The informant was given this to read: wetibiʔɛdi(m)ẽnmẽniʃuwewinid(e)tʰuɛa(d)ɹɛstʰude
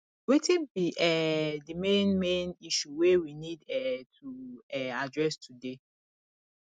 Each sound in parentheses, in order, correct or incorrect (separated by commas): correct, incorrect, correct